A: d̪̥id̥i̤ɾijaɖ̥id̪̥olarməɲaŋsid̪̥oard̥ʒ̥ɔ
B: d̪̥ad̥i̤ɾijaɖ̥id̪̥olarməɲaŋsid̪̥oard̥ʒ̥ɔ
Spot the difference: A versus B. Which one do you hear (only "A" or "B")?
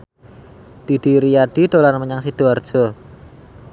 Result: A